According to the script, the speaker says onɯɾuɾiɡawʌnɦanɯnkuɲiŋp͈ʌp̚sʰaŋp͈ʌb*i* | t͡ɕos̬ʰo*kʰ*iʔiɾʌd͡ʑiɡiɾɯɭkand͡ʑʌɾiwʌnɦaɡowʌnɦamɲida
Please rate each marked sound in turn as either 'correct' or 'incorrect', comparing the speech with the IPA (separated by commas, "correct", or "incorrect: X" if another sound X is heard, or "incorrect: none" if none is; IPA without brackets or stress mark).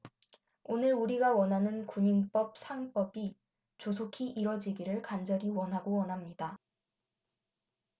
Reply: correct, correct